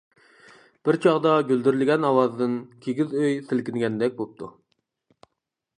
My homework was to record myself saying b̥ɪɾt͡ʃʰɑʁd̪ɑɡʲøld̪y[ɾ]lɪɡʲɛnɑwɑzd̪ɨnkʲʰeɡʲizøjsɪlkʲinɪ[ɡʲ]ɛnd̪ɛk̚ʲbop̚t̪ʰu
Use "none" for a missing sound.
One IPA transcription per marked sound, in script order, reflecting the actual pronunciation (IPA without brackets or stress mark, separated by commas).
ɾ, ɡʲ